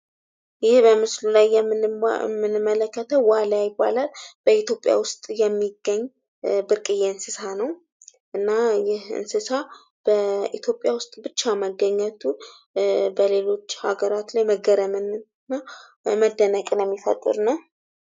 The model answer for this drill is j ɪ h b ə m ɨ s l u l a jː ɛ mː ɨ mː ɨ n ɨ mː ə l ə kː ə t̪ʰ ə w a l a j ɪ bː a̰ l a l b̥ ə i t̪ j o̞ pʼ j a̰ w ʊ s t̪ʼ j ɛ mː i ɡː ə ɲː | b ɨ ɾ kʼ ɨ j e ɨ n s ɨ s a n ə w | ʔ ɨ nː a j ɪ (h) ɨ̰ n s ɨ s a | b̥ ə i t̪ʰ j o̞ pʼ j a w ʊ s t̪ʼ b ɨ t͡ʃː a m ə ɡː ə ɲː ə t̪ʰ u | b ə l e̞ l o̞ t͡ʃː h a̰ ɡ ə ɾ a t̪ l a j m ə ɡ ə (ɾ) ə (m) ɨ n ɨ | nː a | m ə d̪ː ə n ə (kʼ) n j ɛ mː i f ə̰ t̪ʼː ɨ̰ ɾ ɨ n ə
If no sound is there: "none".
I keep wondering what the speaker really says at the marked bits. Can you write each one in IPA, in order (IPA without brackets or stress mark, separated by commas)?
h, ɾ, m, kʼ